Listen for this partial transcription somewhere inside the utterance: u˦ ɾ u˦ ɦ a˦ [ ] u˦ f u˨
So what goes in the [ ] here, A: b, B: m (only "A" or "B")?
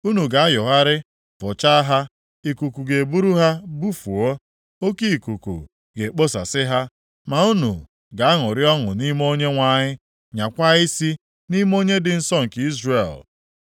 A